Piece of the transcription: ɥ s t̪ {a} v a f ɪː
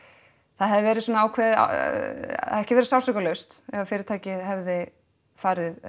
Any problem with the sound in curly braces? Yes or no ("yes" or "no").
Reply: yes